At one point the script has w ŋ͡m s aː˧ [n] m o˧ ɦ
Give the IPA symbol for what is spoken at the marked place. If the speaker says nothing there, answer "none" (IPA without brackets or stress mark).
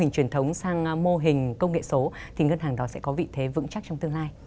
ŋ